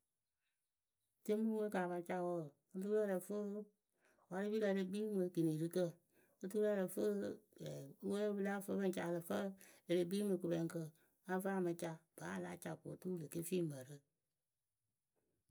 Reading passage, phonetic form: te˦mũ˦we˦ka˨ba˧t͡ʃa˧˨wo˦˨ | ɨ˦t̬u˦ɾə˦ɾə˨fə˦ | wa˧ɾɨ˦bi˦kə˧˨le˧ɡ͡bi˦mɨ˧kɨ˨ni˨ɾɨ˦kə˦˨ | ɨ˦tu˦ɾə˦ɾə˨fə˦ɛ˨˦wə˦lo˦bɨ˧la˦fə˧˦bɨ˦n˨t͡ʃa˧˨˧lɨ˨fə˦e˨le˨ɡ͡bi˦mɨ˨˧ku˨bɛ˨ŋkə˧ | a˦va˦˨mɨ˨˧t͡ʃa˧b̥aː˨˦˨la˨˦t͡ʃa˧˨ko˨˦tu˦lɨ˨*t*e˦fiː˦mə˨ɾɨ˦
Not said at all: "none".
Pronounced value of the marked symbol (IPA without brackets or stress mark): k